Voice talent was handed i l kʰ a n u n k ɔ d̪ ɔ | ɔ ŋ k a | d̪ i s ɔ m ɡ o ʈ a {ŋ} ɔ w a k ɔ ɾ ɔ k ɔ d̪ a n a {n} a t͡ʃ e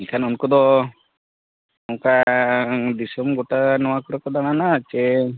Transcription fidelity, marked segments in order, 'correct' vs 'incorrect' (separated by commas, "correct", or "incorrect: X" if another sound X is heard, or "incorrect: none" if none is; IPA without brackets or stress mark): incorrect: n, correct